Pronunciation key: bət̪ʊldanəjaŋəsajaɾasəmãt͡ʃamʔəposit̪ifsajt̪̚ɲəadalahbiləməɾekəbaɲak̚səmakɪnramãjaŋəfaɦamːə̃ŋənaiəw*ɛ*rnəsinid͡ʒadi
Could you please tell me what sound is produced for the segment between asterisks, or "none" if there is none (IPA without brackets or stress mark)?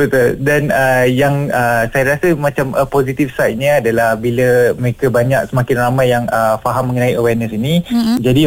ɛ